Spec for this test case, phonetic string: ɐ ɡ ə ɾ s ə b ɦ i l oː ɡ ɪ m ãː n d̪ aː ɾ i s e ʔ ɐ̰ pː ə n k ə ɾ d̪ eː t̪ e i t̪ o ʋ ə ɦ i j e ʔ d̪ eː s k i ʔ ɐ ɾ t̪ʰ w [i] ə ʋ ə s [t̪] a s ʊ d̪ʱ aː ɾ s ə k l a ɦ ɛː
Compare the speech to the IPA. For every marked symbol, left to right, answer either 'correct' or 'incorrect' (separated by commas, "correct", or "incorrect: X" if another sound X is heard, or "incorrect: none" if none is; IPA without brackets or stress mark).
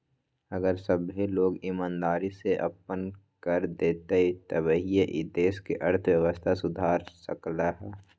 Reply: incorrect: j, incorrect: t̪ʰ